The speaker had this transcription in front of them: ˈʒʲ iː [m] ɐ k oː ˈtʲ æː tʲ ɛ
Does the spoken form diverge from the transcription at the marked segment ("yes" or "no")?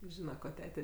yes